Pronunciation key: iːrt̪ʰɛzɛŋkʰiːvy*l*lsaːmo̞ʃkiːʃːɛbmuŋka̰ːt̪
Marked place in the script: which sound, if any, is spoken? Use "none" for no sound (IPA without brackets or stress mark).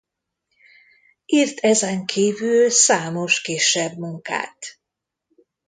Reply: l